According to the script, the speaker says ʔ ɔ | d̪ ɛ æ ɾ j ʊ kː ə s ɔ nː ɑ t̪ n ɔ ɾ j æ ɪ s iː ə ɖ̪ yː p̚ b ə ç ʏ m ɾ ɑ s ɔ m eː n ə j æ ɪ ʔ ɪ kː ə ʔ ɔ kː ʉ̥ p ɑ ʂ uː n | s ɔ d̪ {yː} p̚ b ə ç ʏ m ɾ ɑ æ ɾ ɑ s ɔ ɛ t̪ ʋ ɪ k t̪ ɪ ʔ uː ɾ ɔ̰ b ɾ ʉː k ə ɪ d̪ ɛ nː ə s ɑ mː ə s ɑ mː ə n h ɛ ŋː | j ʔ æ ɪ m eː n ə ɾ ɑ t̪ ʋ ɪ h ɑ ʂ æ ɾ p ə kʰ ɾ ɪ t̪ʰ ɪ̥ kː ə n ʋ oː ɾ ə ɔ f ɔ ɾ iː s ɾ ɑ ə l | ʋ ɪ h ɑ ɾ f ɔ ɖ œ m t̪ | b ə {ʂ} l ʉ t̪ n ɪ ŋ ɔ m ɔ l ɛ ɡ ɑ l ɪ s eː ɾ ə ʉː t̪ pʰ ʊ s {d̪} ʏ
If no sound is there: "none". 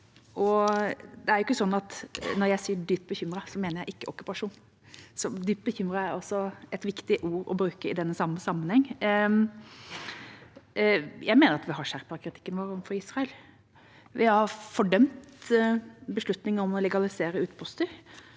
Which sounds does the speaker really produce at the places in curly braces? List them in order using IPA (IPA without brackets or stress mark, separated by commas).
yː, ʂ, t̪